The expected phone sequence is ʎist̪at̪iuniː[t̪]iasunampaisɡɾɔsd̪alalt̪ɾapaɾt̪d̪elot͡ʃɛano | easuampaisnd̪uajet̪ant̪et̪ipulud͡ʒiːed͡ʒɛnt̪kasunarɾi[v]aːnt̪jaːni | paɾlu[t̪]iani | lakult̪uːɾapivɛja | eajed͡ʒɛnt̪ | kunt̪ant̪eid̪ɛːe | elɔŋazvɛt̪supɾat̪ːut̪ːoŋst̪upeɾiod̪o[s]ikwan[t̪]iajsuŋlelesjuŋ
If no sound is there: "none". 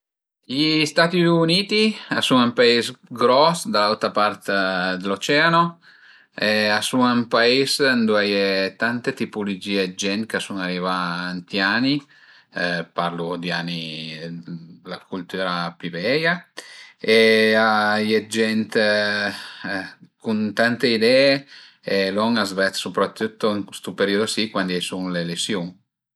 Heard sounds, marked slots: t̪, v, d̪, s, d̪

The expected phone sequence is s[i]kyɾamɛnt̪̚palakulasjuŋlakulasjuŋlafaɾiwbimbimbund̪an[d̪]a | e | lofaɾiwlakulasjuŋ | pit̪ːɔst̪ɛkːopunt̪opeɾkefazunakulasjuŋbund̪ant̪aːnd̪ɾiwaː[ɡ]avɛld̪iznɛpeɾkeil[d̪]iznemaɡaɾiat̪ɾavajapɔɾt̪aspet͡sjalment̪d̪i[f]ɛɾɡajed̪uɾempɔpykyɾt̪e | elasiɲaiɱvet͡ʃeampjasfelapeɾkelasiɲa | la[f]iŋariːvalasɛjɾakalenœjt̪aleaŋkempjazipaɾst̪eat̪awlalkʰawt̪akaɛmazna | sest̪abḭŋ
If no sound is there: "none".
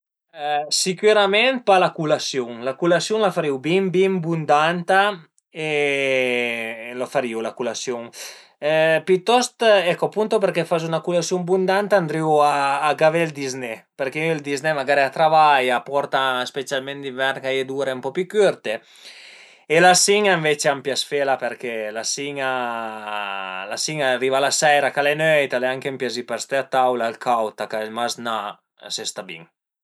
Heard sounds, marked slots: i, t̪, ɡ, d̪, v, s

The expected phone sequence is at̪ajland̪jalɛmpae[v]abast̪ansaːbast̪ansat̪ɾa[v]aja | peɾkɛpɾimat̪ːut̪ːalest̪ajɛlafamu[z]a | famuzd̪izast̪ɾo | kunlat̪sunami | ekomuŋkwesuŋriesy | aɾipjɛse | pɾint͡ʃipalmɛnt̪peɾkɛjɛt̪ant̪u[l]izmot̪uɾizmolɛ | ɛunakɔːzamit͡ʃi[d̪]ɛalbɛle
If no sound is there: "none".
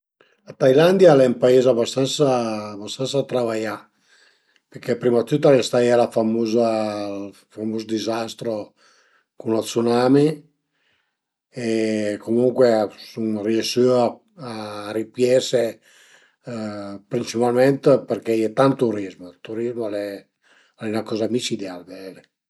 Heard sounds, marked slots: z, v, z, ɾ, d̪

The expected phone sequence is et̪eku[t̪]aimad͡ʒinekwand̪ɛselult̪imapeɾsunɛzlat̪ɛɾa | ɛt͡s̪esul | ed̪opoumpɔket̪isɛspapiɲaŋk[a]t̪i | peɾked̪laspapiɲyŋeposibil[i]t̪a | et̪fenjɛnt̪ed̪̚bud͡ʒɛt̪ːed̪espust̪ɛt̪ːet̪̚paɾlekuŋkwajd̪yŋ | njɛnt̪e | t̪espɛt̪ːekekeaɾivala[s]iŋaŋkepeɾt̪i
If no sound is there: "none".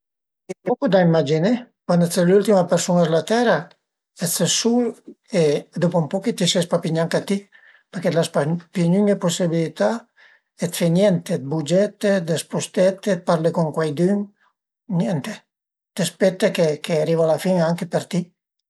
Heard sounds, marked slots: d̪, a, i, f

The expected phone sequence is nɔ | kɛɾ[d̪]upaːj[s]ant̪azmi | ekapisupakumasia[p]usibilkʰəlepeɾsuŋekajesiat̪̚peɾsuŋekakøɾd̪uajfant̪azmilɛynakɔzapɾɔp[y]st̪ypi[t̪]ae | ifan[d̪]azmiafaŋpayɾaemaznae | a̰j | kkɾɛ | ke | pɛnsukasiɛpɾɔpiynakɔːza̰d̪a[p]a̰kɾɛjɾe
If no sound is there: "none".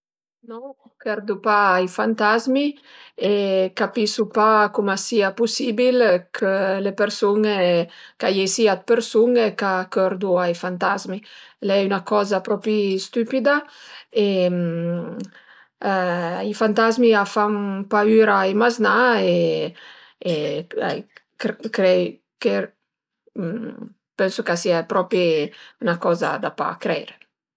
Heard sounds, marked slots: d̪, f, p, i, d̪, t̪, p

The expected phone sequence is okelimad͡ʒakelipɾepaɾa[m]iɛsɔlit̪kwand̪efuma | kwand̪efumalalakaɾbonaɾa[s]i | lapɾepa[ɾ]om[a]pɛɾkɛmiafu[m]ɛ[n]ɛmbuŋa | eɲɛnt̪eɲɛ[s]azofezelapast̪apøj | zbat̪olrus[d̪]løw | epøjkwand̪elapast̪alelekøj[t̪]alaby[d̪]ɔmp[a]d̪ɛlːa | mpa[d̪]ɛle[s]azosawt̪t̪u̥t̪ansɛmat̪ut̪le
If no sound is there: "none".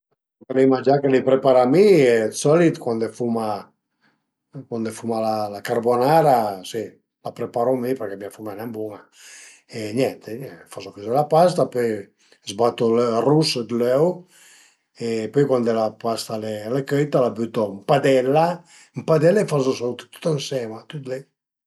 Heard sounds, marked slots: m, s, ɾ, i, m, n, f, d̪, t̪, t̪, a, d̪, f

